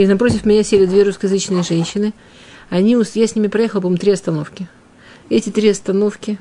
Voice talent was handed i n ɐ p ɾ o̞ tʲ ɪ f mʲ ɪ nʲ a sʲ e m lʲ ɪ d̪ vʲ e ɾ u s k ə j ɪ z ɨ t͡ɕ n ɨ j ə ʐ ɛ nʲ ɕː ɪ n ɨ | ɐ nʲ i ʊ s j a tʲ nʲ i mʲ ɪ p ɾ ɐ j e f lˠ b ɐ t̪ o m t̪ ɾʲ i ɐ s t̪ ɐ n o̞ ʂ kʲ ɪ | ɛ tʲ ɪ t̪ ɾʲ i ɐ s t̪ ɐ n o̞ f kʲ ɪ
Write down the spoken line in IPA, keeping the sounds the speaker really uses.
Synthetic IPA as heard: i n ɐ p ɾ o̞ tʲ ɪ f mʲ ɪ nʲ a sʲ e lʲ ɪ d̪ vʲ e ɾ u s k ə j ɪ z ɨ t͡ɕ n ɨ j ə ʐ ɛ nʲ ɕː ɪ n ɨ | ɐ nʲ i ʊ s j a sʲ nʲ i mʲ ɪ p ɾ ɐ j e x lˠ p ɐ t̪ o m t̪ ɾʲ i ɐ s t̪ ɐ n o̞ f kʲ ɪ | ɛ tʲ ɪ t̪ ɾʲ i ɐ s t̪ ɐ n o̞ f kʲ ɪ